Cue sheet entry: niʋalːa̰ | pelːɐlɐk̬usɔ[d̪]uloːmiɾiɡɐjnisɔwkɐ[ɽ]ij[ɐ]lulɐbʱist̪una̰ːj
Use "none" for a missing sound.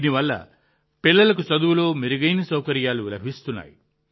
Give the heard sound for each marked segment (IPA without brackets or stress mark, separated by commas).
d̪, ɾ, a